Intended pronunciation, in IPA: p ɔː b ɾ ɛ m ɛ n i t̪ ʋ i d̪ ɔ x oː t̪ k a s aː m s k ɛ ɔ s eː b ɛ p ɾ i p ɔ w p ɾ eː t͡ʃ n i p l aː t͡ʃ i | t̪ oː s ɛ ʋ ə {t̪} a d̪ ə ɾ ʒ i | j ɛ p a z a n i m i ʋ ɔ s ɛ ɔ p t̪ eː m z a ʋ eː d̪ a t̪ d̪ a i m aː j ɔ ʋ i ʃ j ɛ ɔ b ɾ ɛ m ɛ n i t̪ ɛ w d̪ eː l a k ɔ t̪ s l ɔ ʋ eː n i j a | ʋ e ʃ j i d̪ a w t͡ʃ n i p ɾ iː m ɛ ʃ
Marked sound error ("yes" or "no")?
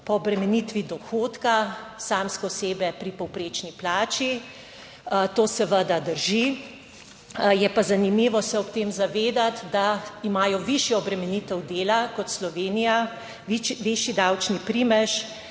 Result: yes